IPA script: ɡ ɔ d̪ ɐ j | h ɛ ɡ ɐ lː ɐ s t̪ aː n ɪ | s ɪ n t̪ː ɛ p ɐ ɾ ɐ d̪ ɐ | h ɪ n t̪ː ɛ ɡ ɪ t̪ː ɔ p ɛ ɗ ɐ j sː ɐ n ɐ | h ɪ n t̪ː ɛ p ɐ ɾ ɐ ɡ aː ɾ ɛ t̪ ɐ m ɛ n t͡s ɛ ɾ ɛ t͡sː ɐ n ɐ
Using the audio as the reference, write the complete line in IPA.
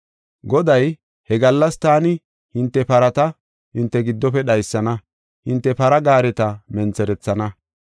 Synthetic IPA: ɡ ɔ d̪ ɐ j | h ɛ ɡ ɐ lː ɐ s t̪ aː n ɪ | h ɪ n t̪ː ɛ p ɐ ɾ ɐ t̪ ɐ | h ɪ n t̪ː ɛ ɡ ɪ d̪ː ɔ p ɛ ɗ ɐ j sː ɐ n ɐ | h ɪ n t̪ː ɛ p ɐ ɾ ɐ ɡ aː ɾ ɛ t̪ ɐ m ɛ n t͡s ɛ ɾ ɛ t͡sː ɐ n ɐ